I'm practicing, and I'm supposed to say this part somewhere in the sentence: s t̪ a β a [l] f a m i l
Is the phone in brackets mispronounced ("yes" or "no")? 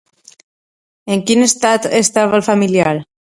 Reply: no